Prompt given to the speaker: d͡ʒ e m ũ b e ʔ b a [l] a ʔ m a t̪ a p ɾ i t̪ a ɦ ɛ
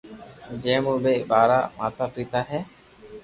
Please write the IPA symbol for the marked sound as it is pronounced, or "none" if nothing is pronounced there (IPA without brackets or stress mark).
ɾ